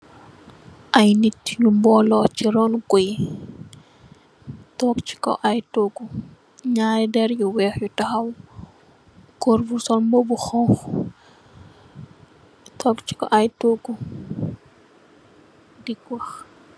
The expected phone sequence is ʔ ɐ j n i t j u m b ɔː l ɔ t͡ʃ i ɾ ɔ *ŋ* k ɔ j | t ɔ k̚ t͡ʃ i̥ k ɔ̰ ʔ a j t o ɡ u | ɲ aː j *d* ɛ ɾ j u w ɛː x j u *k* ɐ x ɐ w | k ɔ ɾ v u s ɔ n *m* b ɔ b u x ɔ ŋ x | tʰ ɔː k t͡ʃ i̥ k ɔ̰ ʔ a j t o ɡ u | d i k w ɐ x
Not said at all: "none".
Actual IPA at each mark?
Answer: n, d, t, m

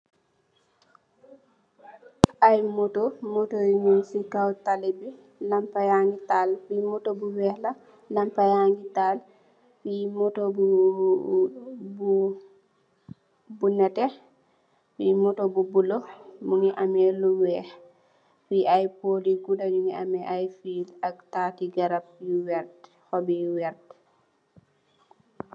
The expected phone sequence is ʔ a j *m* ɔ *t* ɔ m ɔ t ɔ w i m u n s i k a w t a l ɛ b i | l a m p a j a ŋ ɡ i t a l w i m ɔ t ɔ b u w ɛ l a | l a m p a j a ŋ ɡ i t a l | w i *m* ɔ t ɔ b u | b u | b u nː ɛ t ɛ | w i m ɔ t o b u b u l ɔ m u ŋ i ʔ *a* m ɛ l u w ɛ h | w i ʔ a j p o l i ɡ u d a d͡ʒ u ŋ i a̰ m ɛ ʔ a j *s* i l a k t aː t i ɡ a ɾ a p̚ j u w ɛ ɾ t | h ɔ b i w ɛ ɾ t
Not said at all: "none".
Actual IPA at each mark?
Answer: m, t, m, a, f

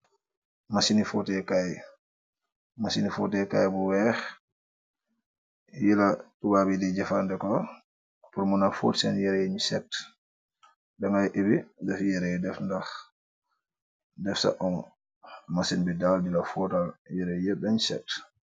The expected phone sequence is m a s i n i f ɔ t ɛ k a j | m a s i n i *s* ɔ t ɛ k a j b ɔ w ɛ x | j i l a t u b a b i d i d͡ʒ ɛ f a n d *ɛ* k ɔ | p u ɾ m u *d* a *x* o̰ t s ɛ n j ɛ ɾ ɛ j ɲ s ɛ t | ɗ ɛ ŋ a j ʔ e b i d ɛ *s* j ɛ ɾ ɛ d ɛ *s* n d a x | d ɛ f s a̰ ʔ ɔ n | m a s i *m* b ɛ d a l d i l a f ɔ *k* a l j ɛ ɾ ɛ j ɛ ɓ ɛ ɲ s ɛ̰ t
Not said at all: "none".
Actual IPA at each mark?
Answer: f, ɛ, n, f, f, f, n, t

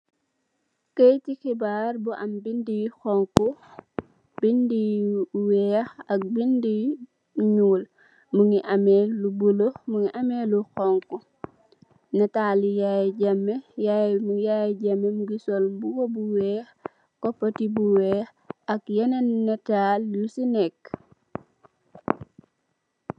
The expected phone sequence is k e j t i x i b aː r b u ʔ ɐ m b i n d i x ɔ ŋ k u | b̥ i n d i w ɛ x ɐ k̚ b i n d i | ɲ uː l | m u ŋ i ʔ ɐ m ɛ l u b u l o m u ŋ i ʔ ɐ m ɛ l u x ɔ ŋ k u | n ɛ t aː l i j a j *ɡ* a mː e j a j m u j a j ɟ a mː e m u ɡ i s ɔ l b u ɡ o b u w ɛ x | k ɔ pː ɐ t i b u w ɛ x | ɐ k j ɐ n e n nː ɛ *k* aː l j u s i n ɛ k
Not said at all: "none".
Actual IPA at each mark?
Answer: ɟ, t

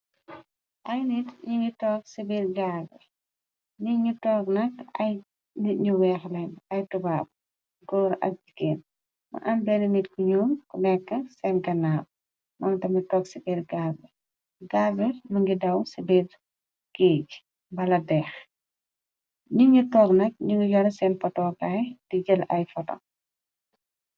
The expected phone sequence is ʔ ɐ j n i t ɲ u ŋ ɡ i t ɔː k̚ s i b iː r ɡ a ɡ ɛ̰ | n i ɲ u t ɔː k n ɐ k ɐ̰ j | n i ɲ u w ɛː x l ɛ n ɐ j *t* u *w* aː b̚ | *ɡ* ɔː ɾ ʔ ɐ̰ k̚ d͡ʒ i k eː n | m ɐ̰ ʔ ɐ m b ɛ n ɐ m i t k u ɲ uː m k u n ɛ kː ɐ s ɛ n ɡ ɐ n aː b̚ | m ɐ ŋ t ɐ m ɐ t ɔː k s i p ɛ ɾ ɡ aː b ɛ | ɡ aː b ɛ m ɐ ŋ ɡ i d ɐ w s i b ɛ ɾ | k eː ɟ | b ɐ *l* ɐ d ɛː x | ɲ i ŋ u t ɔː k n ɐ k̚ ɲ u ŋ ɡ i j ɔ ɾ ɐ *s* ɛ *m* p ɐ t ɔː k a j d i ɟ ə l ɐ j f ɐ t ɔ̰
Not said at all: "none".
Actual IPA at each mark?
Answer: t, b, ɡ, l, s, n

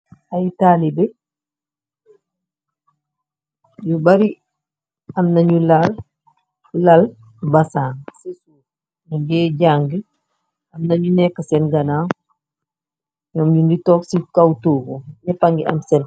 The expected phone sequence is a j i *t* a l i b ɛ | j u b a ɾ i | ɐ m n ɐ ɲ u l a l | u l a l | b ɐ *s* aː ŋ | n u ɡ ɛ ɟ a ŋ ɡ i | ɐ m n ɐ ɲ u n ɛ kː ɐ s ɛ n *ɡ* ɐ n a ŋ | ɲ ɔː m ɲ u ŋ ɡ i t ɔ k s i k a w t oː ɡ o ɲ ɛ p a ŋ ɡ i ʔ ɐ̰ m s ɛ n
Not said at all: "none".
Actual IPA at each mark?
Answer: t, s, ɡ

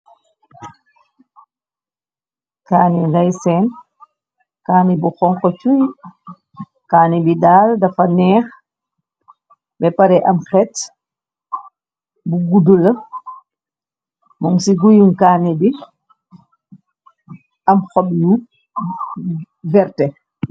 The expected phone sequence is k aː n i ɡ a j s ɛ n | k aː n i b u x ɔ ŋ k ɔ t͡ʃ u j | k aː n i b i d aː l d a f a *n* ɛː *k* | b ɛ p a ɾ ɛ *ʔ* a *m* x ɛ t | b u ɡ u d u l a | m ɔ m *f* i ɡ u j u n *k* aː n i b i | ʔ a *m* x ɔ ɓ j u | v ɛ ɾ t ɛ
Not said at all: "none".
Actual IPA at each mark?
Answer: n, x, ʔ, m, s, k, m

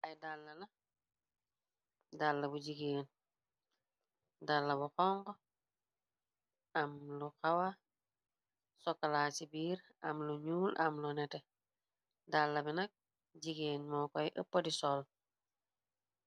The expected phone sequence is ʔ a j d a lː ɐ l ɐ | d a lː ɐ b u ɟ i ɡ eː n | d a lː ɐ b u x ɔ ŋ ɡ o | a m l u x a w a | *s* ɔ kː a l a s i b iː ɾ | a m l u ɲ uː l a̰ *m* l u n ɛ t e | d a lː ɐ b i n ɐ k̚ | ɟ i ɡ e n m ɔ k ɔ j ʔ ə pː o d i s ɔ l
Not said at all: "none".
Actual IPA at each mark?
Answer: s, m

